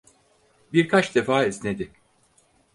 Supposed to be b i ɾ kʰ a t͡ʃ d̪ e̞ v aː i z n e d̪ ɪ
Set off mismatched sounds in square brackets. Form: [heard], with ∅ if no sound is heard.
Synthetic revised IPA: b i ɾ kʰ a t͡ʃ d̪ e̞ [f] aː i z n e d̪ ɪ